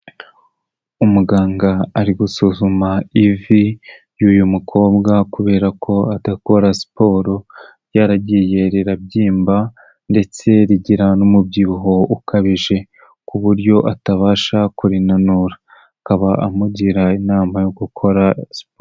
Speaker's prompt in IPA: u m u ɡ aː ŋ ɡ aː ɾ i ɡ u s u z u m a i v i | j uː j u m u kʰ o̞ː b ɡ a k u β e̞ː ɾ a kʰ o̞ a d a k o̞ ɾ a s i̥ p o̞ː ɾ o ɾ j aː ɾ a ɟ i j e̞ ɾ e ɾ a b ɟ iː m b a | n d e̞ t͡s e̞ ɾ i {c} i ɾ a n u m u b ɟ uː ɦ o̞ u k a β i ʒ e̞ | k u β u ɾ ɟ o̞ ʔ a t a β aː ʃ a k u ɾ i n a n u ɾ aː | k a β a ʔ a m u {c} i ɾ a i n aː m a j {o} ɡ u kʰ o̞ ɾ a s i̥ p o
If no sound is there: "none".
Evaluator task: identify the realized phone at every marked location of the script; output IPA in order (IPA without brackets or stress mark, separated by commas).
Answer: ɟ, ɟ, o